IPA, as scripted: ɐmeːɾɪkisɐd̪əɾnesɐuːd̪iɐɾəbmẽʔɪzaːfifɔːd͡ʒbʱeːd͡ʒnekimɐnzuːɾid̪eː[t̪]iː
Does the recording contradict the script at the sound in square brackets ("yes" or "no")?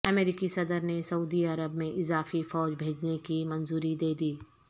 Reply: yes